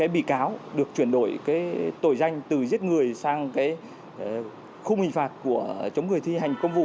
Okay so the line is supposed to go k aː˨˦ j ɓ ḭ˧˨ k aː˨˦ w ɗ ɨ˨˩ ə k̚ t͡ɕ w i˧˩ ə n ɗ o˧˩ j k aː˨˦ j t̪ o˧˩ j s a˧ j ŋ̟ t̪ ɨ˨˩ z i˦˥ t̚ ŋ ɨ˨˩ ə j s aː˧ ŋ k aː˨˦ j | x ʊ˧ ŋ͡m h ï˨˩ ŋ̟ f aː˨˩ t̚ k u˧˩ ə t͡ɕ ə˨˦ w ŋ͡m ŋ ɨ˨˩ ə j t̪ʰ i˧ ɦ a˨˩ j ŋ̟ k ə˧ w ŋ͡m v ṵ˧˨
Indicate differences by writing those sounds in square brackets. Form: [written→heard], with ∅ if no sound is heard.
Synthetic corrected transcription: k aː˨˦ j ɓ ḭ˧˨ k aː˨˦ w ɗ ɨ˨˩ ə k̚ t͡ɕ w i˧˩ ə n ɗ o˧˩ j k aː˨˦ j t̪ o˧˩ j [s→z] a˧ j ŋ̟ t̪ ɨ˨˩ z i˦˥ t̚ ŋ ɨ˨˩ ə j s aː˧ ŋ k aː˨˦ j | x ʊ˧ ŋ͡m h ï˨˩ ŋ̟ f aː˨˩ t̚ k u˧˩ ə t͡ɕ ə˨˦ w ŋ͡m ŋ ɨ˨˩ ə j t̪ʰ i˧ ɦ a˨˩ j ŋ̟ k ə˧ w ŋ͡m v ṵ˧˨